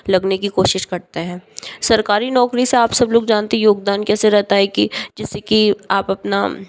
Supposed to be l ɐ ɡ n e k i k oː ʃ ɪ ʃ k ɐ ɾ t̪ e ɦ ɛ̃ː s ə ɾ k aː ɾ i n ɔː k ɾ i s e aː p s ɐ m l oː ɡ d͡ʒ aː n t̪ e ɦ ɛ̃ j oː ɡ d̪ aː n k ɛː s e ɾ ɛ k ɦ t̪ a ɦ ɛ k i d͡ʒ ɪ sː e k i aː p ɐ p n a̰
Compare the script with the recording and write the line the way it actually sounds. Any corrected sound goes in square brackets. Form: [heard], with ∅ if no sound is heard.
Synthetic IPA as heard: l ɐ ɡ n e k i k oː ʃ ɪ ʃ k ɐ ɾ t̪ e ɦ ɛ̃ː s [ɐ] ɾ k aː ɾ i n ɔː k ɾ i s e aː p s ɐ [b] l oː ɡ d͡ʒ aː n t̪ e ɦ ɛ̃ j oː ɡ d̪ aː n k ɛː s e ɾ ɛ [∅] ɦ t̪ a ɦ ɛ k i d͡ʒ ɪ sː e k i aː p ɐ p n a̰